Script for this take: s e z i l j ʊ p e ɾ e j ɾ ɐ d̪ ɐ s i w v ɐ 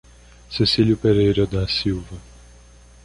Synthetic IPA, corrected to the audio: s e s i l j ʊ p e ɾ e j ɾ ɐ d̪ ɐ s i w v ɐ